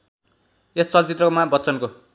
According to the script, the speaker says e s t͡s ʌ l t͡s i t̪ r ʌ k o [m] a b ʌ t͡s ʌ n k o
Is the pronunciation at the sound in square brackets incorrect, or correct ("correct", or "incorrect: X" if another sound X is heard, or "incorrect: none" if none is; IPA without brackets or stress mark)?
correct